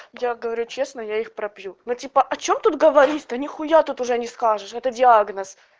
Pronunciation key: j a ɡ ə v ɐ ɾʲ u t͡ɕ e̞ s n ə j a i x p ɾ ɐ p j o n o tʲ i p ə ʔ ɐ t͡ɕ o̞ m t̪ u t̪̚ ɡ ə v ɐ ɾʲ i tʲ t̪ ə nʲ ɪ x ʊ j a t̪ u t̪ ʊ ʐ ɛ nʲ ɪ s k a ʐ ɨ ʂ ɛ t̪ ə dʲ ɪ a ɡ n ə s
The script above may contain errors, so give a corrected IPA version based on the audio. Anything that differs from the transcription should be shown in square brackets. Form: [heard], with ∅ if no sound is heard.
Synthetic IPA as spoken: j a ɡ ə v ɐ ɾʲ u t͡ɕ e̞ s n ə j a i x p ɾ ɐ p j [u] n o tʲ i p ə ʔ ɐ t͡ɕ o̞ m t̪ u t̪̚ ɡ ə v ɐ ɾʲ i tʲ t̪ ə nʲ ɪ x ʊ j a t̪ u t̪ ʊ ʐ ɛ nʲ ɪ s k a ʐ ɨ ʂ ɛ t̪ ə dʲ ɪ a ɡ n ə s

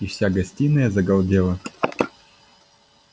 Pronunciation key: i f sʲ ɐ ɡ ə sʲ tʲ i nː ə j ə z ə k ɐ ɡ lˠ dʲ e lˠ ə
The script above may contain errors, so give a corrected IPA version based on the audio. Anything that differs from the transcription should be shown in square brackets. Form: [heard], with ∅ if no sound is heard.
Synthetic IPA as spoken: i f sʲ [a] ɡ [ɐ] sʲ tʲ i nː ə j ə z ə [ɡ] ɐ [∅] lˠ dʲ e lˠ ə

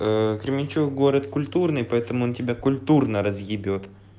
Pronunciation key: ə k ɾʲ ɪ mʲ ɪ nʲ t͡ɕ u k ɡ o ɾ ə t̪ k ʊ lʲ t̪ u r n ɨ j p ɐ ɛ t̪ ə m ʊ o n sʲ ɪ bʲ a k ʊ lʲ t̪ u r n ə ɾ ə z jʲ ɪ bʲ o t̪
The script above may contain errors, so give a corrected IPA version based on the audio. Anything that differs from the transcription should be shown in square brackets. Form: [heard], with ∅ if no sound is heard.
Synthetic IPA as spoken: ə k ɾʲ ɪ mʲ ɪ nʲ t͡ɕ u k ɡ o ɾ ə t̪ k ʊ lʲ t̪ u r n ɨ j p ɐ ɛ t̪ ə m ʊ o n [tʲ] ɪ bʲ a k ʊ lʲ t̪ u r n ə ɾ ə z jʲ ɪ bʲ o t̪

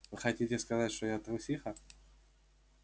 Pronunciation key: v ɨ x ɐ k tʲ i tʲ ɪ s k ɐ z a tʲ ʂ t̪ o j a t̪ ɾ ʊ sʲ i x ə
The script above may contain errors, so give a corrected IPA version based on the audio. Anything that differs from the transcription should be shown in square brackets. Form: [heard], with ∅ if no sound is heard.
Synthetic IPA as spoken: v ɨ x ɐ [∅] tʲ i tʲ ɪ s k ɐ z a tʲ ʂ t̪ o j a t̪ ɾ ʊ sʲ i x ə

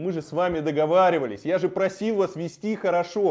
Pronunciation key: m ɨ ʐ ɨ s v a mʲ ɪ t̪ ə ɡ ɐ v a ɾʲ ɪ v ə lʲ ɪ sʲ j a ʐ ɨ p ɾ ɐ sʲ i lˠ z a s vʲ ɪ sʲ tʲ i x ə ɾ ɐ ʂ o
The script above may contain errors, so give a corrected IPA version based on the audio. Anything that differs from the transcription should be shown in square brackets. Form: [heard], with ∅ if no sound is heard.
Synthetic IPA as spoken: m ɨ ʐ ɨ s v a mʲ ɪ [d̪] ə ɡ ɐ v a ɾʲ ɪ v ə lʲ ɪ sʲ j a ʐ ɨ p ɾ ɐ sʲ i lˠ [v] a s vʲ ɪ sʲ tʲ i x ə ɾ ɐ ʂ o

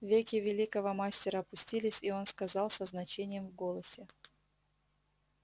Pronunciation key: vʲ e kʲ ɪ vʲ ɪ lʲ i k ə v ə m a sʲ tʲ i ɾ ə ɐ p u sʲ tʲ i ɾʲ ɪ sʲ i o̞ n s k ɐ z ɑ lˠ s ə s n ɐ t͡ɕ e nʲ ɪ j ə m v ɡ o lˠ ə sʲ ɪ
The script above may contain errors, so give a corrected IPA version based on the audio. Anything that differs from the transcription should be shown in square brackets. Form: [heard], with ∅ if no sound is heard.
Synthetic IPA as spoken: vʲ e kʲ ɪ vʲ ɪ lʲ i k ə v ə m a sʲ tʲ [ɪ] ɾ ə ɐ p [ʊ] sʲ tʲ i [lʲ] ɪ sʲ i o̞ n s k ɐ z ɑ lˠ s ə [z] n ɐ t͡ɕ e nʲ ɪ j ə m v ɡ o lˠ ə sʲ ɪ

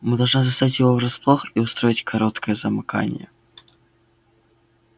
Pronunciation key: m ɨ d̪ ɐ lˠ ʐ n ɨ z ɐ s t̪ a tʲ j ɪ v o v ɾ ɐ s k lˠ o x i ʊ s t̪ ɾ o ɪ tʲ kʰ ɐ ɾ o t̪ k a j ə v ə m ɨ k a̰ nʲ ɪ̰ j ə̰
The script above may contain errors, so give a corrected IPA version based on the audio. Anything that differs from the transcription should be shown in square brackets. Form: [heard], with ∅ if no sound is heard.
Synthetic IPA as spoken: m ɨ d̪ ɐ lˠ ʐ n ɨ z ɐ s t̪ a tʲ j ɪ v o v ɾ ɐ s [p] lˠ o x i ʊ s t̪ ɾ o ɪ tʲ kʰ ɐ ɾ o t̪ k [ə] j ə [z] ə m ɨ k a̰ nʲ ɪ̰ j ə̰

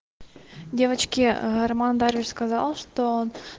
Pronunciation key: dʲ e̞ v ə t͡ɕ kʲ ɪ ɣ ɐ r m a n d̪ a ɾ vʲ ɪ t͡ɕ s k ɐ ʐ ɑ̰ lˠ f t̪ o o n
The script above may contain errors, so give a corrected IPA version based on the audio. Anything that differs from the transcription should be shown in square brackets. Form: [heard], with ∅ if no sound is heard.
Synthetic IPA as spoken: dʲ e̞ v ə t͡ɕ kʲ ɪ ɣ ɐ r m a n d̪ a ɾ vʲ ɪ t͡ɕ s k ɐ [z] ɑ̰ lˠ [ʂ] t̪ o o n

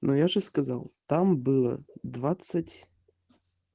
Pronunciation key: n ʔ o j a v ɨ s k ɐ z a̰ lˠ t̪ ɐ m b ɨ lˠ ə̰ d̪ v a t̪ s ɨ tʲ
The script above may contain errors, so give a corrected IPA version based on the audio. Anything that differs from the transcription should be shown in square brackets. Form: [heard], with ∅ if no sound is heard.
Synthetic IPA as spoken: n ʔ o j a [ʐ] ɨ s k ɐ z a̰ lˠ t̪ [a] m b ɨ lˠ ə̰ d̪ v a t̪ s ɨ tʲ

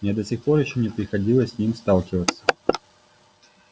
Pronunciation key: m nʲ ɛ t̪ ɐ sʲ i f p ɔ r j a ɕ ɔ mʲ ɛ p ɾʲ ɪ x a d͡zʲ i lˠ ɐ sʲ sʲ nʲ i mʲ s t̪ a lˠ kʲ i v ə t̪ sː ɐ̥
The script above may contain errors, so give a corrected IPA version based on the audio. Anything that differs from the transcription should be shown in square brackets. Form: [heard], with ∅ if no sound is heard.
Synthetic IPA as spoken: m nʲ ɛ [d̪] ɐ sʲ i [x] p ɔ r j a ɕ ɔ [nʲ] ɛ p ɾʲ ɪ x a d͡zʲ i lˠ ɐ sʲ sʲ nʲ i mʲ s t̪ a lˠ kʲ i v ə t̪ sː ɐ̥

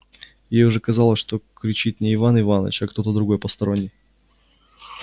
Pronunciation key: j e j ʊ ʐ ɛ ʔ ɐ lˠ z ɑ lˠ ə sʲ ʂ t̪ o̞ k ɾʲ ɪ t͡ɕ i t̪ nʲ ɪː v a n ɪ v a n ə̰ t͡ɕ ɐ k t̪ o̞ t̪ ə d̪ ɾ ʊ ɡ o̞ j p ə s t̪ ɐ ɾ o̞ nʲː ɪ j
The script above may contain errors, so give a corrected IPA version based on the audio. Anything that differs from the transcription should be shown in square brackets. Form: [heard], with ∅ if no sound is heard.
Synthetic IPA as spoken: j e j ʊ ʐ ɛ [k] ɐ [∅] z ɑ lˠ ə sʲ ʂ t̪ o̞ k ɾʲ ɪ t͡ɕ i t̪ nʲ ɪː v a n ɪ v a n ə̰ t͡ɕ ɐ k t̪ o̞ t̪ ə d̪ ɾ ʊ ɡ o̞ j p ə s t̪ ɐ ɾ o̞ nʲː ɪ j

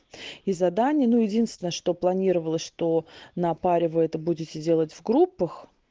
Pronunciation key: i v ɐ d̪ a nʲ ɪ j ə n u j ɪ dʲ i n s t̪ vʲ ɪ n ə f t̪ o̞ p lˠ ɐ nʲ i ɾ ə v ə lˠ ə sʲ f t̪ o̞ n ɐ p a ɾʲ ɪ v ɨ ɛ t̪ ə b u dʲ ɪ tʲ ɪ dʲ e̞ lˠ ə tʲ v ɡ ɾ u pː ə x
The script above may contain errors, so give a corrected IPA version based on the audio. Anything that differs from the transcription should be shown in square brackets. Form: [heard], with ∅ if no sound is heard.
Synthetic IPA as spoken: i [z] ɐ d̪ a nʲ ɪ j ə n u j ɪ dʲ i n s t̪ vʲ ɪ n ə [ʂ] t̪ o̞ p lˠ ɐ nʲ i ɾ ə v ə lˠ ə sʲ [ʂ] t̪ o̞ n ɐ p a ɾʲ ɪ v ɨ ɛ t̪ ə b u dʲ ɪ tʲ ɪ dʲ e̞ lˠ ə tʲ v ɡ ɾ u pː ə x

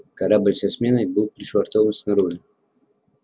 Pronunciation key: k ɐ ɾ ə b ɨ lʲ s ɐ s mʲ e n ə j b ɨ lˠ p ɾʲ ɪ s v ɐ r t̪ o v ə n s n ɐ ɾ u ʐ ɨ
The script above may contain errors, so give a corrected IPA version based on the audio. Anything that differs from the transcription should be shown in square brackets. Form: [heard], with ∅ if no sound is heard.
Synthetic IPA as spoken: k ɐ ɾ [a] b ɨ lʲ s ɐ s mʲ e n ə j b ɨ lˠ p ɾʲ ɪ [ʂ] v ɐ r t̪ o v ə n s n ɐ ɾ u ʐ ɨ

